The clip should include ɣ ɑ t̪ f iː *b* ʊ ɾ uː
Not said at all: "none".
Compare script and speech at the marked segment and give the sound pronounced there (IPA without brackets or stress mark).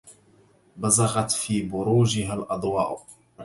b